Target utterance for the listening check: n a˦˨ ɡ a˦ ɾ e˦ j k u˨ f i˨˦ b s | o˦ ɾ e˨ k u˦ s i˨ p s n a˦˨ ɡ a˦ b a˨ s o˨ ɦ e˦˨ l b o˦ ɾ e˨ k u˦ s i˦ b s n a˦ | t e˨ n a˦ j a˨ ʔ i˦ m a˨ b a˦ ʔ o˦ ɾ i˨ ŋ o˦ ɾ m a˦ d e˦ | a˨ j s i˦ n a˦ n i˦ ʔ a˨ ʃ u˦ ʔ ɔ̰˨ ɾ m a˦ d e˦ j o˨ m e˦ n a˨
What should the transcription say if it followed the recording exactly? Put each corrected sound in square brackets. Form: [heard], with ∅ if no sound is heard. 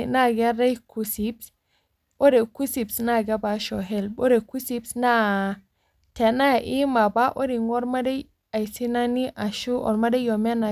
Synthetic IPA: n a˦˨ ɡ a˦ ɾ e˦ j k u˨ [s] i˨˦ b s | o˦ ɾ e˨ k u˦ s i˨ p s n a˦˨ ɡ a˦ b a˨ [ʃ] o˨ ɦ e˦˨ l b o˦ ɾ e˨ k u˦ s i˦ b s n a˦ | t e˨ n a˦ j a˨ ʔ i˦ m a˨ b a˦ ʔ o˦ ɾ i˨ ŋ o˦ ɾ m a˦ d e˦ | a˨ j s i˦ n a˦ n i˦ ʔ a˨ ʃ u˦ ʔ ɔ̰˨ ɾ m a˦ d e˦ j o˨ m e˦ n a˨